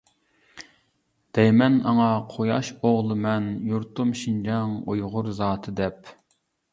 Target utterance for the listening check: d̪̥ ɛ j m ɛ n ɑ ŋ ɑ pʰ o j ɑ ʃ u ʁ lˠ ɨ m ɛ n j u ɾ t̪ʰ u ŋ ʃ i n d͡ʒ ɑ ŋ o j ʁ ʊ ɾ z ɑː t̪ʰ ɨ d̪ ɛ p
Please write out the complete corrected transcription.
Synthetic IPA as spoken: d̪̥ ɛ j m ɛ n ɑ ŋ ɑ qʰ o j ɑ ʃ o ʁ lˠ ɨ m ɛ n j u ɾ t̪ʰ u m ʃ i n d͡ʒ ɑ ŋ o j ʁ ʊ ɾ z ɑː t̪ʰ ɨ d̪ ɛ p

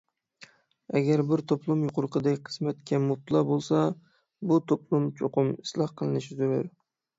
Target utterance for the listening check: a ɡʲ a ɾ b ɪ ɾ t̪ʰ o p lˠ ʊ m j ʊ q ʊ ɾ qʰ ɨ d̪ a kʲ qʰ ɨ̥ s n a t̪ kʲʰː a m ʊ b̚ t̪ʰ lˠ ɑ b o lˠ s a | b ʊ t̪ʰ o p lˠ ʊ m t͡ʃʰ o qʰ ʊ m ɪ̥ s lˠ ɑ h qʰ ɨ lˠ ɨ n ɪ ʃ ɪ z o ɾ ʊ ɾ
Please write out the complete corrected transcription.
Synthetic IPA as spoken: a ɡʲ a ɾ b ɪ ɾ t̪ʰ o p lˠ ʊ m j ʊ q ʊ ɾ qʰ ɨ d̪ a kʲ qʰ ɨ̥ s m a t̪ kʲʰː a m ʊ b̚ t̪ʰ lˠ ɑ b o lˠ s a | b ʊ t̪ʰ o p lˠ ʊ m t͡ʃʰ o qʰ ʊ m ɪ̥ s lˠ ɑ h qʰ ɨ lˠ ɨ n ɪ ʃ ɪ z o ɾ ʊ ɾ

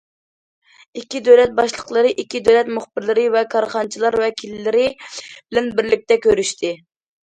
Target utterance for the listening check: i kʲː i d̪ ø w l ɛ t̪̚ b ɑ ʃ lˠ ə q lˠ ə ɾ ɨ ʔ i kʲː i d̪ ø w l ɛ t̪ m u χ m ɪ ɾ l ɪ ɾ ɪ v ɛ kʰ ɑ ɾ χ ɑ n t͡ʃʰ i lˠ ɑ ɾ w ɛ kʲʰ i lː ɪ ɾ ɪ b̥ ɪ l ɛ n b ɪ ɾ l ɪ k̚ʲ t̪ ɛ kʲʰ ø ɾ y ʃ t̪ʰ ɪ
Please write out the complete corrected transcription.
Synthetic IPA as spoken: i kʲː i d̪ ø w l ɛ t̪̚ b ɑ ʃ lˠ ə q lˠ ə ɾ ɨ ʔ i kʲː i d̪ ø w l ɛ t̪ m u χ b ɪ ɾ l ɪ ɾ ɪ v ɛ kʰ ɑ ɾ χ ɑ n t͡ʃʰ i lˠ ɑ ɾ w ɛ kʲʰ i lː ɪ ɾ ɪ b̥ ɪ l ɛ n b ɪ ɾ l ɪ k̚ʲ t̪ ɛ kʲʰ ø ɾ y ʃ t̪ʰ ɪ

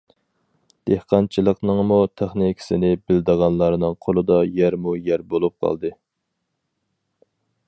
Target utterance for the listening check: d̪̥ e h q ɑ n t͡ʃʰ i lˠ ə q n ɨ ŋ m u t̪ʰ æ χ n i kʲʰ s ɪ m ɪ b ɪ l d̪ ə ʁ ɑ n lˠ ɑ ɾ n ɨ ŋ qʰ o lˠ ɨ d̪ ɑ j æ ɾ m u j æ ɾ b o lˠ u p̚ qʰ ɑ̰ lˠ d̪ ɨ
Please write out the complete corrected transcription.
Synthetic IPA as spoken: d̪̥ e h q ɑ n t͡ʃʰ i lˠ ə q n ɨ ŋ m u t̪ʰ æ χ n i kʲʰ s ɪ n ɪ b ɪ l d̪ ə ʁ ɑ n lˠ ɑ ɾ n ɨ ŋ qʰ o lˠ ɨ d̪ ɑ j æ ɾ m u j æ ɾ b o lˠ u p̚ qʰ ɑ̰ lˠ d̪ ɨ

